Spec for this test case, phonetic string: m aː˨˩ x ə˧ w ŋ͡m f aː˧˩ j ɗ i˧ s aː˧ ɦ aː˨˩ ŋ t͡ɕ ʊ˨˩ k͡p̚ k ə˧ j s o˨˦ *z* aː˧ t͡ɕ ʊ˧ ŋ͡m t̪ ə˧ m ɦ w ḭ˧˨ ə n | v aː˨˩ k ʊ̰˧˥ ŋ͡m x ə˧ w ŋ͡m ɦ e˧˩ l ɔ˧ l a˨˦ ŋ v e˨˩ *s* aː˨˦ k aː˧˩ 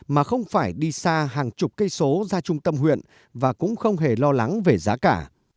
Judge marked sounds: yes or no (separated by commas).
yes, no